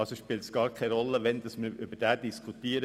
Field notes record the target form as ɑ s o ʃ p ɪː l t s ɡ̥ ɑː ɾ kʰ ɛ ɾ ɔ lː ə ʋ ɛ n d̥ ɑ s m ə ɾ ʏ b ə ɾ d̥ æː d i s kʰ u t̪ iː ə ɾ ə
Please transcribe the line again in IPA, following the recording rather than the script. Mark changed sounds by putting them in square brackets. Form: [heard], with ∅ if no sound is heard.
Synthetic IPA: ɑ s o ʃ p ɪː l t s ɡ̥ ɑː ɾ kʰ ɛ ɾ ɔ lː ə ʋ ɛ n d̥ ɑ s m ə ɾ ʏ b ə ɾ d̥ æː d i s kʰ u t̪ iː ə ɾ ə